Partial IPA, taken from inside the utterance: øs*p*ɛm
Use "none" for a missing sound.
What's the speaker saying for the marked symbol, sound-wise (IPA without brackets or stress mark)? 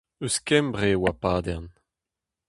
k